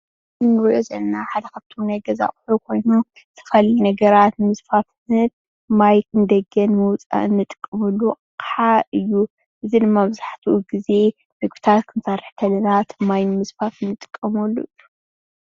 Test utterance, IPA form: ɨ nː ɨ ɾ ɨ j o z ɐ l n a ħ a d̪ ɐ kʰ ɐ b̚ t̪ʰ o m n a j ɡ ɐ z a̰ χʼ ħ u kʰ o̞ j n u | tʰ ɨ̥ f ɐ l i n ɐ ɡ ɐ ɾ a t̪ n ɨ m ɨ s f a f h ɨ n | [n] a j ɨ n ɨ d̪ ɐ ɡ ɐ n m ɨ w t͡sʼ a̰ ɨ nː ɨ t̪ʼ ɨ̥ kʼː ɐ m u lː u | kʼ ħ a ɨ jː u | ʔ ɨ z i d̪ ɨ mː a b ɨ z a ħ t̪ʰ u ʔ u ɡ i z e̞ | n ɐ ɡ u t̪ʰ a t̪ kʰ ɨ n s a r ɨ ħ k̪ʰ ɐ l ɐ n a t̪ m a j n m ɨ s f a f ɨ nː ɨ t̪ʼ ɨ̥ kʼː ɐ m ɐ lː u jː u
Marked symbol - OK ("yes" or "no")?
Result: no